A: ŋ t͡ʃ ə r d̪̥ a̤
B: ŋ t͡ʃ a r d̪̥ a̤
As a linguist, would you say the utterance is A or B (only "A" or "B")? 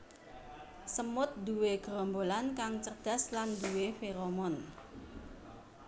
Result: A